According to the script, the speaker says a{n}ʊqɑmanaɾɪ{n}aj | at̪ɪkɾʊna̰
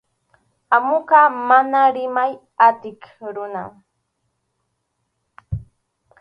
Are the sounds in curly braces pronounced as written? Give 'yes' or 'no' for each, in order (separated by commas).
no, no